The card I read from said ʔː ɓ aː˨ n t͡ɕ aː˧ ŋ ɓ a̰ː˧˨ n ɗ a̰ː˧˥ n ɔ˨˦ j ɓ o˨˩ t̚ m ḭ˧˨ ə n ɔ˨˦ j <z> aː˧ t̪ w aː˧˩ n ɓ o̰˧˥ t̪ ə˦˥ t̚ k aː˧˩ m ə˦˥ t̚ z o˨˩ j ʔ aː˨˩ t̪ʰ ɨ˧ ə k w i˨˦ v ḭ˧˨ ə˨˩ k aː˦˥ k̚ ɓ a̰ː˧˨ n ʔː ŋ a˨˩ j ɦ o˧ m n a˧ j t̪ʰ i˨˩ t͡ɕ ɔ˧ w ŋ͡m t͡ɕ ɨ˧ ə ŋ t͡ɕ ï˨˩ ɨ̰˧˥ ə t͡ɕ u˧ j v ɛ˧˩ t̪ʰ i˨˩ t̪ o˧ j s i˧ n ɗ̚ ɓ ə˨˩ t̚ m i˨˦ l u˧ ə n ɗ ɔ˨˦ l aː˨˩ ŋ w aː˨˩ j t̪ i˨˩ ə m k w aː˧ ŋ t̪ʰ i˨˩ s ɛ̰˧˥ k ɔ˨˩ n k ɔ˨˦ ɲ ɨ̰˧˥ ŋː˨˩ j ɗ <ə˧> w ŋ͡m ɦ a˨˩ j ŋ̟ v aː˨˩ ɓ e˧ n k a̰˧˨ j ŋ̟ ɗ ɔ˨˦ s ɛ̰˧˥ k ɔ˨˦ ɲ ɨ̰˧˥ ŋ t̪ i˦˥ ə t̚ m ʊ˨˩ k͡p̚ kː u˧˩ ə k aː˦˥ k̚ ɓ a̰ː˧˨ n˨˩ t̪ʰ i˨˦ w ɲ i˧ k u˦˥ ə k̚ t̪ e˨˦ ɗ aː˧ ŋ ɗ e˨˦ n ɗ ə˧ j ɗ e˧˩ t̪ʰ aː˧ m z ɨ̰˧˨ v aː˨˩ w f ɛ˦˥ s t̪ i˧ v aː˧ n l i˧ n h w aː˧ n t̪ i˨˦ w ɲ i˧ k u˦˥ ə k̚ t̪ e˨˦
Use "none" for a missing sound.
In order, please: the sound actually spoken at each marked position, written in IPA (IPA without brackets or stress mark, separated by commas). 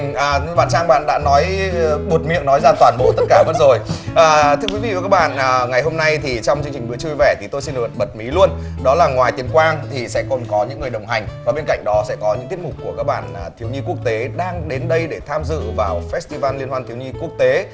z, ə˨˩